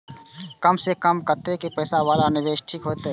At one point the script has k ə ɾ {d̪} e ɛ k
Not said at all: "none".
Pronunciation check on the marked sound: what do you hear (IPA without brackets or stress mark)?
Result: t̪